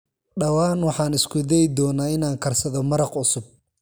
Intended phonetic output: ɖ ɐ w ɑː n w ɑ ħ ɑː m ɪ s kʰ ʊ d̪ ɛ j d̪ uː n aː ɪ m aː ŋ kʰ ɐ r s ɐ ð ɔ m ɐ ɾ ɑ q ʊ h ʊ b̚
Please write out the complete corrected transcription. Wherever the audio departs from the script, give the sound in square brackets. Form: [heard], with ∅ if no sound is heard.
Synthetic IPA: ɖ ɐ w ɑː n w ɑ ħ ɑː [n] ɪ s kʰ ʊ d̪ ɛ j d̪ [ɔː] n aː ɪ [n] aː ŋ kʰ ɐ r s ɐ ð ɔ m ɐ ɾ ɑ q ʊ [s] ʊ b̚